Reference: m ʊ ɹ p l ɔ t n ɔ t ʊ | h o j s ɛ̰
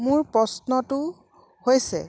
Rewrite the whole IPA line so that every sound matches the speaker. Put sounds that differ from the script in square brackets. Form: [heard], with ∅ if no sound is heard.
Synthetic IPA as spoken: m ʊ ɹ p [ɹ] ɔ [s] n ɔ t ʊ | h o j s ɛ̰

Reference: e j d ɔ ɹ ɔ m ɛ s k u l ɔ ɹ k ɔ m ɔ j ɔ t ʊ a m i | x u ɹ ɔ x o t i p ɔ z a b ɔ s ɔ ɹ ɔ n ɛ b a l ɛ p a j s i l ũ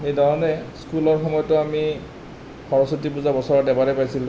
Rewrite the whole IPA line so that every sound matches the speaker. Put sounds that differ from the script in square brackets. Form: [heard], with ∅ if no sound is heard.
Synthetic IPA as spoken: e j d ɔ ɹ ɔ [n] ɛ s k u l ɔ ɹ [x] ɔ m ɔ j ɔ t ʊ a m i | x [ɔ] ɹ ɔ [s] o t i p [u] z a b ɔ s ɔ ɹ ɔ [d] ɛ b a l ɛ p a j s i l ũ

